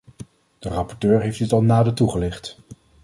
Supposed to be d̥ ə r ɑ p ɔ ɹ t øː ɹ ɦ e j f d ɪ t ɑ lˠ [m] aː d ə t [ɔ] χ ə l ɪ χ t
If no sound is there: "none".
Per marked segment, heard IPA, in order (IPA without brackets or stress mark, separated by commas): n, u